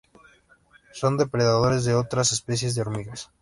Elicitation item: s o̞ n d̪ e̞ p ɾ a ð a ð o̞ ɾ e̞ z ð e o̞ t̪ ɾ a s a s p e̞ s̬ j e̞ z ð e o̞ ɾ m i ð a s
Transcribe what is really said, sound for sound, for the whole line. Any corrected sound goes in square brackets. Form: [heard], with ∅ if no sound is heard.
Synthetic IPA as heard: s o̞ n d̪ e̞ p ɾ [e] ð a ð o̞ ɾ e̞ z ð e o̞ t̪ ɾ a s [e] s p e̞ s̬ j e̞ z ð e o̞ ɾ m i [ɣ] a s